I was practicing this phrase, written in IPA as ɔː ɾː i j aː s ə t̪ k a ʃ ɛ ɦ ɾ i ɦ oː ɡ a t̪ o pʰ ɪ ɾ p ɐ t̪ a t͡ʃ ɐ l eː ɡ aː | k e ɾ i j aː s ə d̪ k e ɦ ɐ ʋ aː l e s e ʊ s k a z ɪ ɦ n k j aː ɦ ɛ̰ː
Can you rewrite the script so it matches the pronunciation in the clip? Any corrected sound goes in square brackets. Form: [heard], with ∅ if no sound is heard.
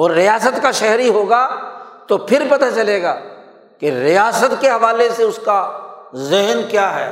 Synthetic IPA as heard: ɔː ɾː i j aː s ə t̪ k a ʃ ɛ ɦ ɾ i ɦ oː ɡ a t̪ o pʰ ɪ ɾ p ɐ t̪ a t͡ʃ ɐ l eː ɡ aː | k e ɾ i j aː s ə [t̪] k e ɦ ɐ ʋ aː l e s e ʊ s k a z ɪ ɦ n k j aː ɦ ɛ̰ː